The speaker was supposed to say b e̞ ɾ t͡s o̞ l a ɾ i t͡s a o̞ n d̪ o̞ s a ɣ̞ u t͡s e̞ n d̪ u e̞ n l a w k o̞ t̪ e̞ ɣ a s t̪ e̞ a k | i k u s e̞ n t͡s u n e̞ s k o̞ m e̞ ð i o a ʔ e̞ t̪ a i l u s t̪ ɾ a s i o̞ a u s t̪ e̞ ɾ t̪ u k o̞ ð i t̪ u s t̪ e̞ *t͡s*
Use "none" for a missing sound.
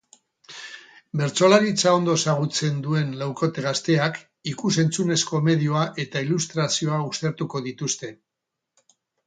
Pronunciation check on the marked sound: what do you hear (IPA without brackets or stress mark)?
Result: none